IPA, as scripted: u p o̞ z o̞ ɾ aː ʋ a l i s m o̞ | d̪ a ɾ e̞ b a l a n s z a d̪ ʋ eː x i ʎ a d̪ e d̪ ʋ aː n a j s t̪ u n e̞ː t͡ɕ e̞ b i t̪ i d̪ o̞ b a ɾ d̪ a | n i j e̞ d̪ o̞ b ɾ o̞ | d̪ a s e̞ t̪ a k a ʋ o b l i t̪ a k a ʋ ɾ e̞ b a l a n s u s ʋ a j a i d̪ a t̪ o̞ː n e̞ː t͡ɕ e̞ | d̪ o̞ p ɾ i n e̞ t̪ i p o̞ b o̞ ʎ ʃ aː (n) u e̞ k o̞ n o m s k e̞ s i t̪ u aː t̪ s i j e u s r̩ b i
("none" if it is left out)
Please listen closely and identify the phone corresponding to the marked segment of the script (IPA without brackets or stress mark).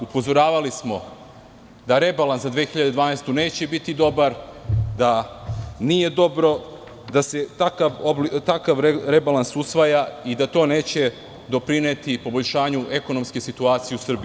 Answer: ɲ